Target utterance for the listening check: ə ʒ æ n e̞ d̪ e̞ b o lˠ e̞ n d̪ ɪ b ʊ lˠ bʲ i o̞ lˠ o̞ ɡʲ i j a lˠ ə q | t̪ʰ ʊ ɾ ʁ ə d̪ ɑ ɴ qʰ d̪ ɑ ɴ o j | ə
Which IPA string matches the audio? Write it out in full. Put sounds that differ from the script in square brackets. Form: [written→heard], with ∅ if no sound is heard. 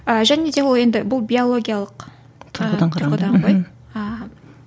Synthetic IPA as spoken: ə ʒ æ n e̞ d̪ e̞ [b→w] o lˠ e̞ n d̪ ɪ b ʊ lˠ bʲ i o̞ lˠ o̞ ɡʲ i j a lˠ ə q | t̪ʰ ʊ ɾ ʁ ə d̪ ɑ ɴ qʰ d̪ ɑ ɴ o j | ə